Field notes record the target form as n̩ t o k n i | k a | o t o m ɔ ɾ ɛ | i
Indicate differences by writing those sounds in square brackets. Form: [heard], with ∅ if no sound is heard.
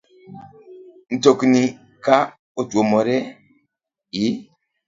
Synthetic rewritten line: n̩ t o k n i | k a | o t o m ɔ ɾ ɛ | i